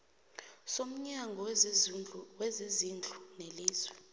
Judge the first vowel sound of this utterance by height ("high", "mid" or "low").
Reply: mid